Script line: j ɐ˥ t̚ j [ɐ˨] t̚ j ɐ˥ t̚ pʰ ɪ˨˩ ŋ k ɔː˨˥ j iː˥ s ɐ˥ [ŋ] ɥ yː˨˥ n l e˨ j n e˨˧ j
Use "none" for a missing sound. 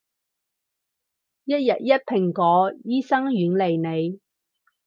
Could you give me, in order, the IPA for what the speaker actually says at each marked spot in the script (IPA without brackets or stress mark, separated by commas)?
ɐ˨, ŋ